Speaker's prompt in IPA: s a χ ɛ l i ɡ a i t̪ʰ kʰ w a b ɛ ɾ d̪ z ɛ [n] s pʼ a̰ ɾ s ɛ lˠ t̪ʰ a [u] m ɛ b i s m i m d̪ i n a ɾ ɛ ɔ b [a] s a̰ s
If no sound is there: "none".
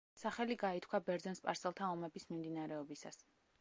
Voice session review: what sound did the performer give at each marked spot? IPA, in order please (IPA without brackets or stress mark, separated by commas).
n, ɔ, i